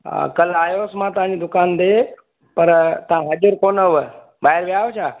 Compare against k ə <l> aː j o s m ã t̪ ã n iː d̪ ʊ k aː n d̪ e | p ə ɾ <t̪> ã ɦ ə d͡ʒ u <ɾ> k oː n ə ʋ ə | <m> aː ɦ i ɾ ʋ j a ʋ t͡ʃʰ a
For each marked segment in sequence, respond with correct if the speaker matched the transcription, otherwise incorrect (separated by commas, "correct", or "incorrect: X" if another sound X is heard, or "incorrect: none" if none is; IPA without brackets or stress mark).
correct, correct, correct, incorrect: b